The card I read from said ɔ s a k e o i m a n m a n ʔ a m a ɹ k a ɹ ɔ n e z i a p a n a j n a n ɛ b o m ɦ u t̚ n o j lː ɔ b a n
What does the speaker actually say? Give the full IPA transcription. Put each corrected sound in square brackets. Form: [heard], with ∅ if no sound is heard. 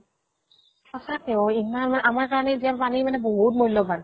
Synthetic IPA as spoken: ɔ s a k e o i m a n m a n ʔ a m a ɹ k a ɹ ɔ n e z i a p a n [i] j [m] a n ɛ b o [∅] ɦ u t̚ [m] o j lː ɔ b a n